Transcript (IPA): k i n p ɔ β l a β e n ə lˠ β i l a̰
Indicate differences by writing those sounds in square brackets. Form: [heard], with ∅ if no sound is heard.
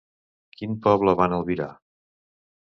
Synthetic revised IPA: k i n p ɔ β l [ə] β [a] n ə lˠ β i [ɾ] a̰